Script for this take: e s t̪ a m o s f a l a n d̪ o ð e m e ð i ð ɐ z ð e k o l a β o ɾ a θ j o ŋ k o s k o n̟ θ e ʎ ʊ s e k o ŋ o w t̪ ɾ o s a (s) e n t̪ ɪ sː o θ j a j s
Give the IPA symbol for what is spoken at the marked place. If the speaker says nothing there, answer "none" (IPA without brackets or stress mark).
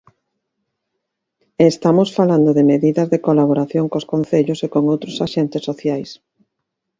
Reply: ʃ